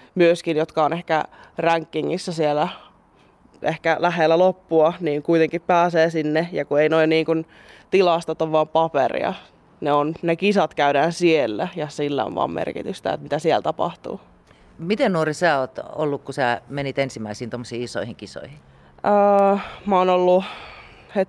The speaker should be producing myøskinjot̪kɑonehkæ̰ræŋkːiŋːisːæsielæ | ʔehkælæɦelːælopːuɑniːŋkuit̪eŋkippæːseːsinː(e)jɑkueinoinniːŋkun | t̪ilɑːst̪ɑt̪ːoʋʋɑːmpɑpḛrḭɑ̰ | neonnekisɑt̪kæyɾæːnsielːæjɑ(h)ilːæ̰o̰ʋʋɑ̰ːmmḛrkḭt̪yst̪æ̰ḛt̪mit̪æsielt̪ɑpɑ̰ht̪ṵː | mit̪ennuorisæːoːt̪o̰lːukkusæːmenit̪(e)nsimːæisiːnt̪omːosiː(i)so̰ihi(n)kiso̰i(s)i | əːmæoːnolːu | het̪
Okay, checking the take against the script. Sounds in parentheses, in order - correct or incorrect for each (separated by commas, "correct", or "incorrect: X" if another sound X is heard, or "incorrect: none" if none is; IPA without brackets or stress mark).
correct, incorrect: s, correct, correct, incorrect: ŋ, incorrect: h